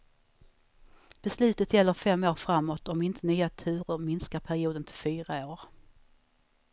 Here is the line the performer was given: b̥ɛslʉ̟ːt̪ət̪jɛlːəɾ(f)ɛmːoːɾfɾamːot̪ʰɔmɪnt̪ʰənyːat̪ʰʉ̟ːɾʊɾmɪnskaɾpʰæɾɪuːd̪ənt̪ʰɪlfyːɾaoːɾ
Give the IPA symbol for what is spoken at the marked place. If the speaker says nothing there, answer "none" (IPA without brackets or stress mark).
f